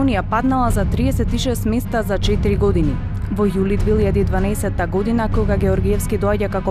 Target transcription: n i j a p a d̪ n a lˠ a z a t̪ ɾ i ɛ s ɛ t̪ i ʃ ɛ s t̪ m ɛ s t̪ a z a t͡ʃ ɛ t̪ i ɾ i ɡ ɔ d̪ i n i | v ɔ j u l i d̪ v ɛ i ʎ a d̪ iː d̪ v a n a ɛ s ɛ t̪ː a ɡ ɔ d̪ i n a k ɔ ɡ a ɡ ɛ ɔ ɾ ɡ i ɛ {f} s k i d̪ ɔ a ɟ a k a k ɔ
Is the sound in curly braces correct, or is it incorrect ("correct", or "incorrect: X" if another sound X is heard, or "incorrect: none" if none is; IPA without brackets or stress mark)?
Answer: correct